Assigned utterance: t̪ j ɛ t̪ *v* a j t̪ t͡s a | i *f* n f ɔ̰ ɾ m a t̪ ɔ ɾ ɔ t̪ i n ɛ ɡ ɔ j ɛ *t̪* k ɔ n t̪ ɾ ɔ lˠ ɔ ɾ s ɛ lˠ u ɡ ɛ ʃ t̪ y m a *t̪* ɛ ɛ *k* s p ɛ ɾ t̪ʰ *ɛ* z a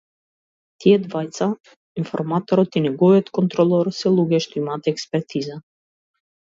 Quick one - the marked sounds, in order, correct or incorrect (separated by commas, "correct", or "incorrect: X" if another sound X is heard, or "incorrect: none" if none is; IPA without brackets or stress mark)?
correct, incorrect: none, correct, correct, correct, incorrect: i